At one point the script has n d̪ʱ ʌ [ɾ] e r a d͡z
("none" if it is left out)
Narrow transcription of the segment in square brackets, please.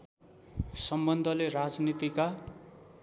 l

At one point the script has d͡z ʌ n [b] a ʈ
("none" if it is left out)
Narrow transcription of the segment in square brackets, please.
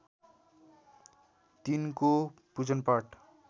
p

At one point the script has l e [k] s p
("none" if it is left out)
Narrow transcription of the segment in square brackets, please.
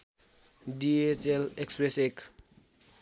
k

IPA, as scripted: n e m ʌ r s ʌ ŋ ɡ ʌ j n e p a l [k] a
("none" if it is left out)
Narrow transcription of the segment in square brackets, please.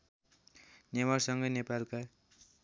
k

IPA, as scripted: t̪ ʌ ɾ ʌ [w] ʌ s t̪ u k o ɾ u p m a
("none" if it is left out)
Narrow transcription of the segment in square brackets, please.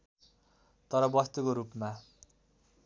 b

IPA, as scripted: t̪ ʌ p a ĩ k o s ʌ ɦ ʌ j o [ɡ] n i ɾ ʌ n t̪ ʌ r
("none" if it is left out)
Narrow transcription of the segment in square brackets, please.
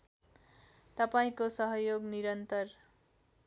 ɡ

